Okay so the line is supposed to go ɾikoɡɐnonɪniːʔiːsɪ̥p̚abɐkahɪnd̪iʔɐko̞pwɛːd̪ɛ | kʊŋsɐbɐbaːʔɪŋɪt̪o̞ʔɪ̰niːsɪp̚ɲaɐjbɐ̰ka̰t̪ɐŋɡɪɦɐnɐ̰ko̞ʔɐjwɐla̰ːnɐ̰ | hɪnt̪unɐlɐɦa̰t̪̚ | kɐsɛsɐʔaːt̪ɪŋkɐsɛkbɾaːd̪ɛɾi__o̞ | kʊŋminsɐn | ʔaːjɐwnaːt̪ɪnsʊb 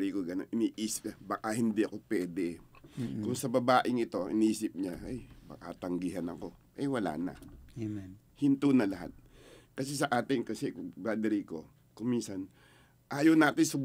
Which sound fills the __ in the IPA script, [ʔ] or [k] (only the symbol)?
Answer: k